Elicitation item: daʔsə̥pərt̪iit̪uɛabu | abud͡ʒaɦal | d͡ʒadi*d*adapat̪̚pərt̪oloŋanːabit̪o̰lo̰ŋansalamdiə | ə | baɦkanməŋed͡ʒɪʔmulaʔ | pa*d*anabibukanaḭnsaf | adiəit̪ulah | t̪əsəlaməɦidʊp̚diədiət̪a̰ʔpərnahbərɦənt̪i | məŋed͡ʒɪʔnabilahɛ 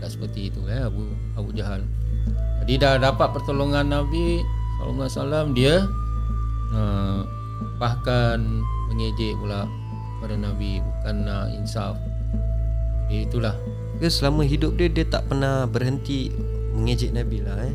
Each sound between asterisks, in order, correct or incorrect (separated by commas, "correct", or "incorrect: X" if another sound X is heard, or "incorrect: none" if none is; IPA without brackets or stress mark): correct, correct